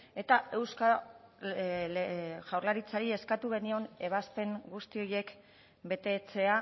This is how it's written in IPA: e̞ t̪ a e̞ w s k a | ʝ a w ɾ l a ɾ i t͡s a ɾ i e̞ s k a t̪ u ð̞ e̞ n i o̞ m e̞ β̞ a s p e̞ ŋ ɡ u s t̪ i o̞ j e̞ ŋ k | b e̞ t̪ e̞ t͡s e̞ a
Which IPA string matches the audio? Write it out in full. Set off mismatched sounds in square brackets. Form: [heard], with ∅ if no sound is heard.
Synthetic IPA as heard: e̞ t̪ a e̞ w s k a | ʝ a w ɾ l a ɾ i t͡s a ɾ i e̞ s k a t̪ u [ɣ̞] e̞ n i o̞ [n] e̞ β̞ a s p e̞ ŋ ɡ u s t̪ i o̞ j e̞ [∅] k | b e̞ t̪ e̞ t͡s e̞ a

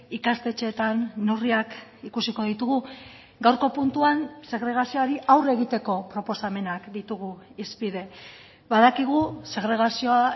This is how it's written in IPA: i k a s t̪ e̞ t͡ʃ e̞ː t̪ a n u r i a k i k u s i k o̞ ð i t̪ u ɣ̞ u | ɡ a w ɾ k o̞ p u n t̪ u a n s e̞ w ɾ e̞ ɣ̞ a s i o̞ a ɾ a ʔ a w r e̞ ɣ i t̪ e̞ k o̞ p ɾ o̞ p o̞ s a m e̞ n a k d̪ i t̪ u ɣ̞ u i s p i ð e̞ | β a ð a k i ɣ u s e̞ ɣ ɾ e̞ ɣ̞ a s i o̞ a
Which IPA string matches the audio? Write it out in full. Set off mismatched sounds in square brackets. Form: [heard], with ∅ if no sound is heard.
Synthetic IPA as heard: i k a s t̪ e̞ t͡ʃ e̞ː t̪ a [nː] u r i a k i k u s i k o̞ ð i t̪ u ɣ̞ u | ɡ a w ɾ k o̞ p u n t̪ u a n s e̞ [ɣ] ɾ e̞ ɣ̞ a s i o̞ a ɾ [i] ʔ a w r e̞ ɣ i t̪ e̞ k o̞ p ɾ o̞ p o̞ s a m e̞ n a k d̪ i t̪ u ɣ̞ u i s p i ð e̞ | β a ð a k i ɣ u s e̞ ɣ ɾ e̞ ɣ̞ a s i o̞ a

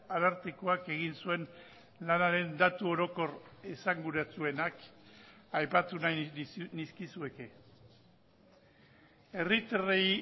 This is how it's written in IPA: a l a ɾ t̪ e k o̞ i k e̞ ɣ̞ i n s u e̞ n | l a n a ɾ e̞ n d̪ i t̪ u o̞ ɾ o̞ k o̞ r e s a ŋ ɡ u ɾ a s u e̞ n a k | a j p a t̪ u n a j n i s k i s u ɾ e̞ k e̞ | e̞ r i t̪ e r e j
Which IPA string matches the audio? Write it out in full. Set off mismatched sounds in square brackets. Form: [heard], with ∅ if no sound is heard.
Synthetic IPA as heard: a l a ɾ t̪ e k o̞ [a] k e̞ ɣ̞ i n s u e̞ n | l a n a ɾ e̞ n d̪ [a] t̪ u o̞ ɾ o̞ k o̞ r e s a ŋ ɡ u ɾ a [t͡s] u e̞ n a k | a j p a t̪ u n a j n i s k i s u [∅] e̞ k e̞ | e̞ r i t̪ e r e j

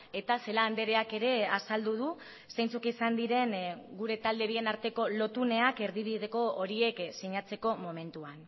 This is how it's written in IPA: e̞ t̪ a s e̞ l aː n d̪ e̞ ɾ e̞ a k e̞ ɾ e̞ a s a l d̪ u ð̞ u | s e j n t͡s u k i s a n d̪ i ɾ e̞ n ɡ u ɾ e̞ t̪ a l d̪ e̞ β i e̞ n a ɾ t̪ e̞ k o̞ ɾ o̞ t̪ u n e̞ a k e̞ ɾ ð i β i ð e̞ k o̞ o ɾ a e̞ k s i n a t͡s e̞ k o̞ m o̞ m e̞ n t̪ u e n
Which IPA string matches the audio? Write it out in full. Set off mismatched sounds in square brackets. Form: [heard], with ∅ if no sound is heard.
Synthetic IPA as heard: e̞ t̪ a s e̞ l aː n d̪ e̞ ɾ e̞ a k e̞ ɾ e̞ a s a l d̪ u ð̞ u | s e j n t͡s u k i s a n d̪ i ɾ e̞ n ɡ u ɾ e̞ t̪ a l d̪ e̞ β i e̞ n a ɾ t̪ e̞ k o̞ [l] o̞ t̪ u n e̞ a k e̞ ɾ ð i β i ð e̞ k o̞ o ɾ [i] e̞ k s i [ɲ] a t͡s e̞ k o̞ m o̞ m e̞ n t̪ u [a] n

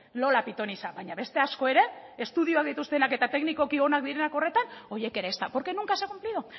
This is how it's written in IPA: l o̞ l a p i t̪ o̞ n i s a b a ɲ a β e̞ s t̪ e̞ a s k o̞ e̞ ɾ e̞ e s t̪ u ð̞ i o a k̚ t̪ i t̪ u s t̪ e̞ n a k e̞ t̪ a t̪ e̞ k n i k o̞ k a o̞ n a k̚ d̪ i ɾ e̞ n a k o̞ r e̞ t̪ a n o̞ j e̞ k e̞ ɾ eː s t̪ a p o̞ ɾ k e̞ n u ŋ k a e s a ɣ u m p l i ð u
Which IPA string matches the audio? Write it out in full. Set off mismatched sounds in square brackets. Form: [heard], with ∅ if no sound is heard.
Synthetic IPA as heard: l o̞ l a p i t̪ o̞ n i s a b a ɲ a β e̞ s t̪ e̞ a s k o̞ e̞ ɾ e̞ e s t̪ u ð̞ i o a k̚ [d̪] i t̪ u s t̪ e̞ n a k e̞ t̪ a t̪ e̞ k n i k o̞ k [i] o̞ n a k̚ d̪ i ɾ e̞ n a k o̞ r e̞ t̪ a n o̞ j e̞ k e̞ ɾ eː s t̪ a p o̞ ɾ k e̞ n u ŋ k a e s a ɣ u m p l i ð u

